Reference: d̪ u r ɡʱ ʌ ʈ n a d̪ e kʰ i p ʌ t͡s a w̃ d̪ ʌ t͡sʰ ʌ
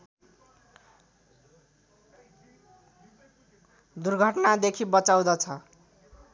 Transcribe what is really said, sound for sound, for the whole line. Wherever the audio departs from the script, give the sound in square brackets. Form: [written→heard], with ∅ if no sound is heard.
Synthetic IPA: d̪ u r ɡʱ ʌ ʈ n a d̪ e kʰ i [p→b] ʌ t͡s a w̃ d̪ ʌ t͡sʰ ʌ